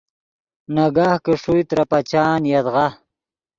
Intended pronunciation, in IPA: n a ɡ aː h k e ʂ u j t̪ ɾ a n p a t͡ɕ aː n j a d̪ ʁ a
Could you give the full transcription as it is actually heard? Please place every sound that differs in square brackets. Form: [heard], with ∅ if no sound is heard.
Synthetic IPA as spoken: n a ɡ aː h k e ʂ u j t̪ ɾ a [∅] p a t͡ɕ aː n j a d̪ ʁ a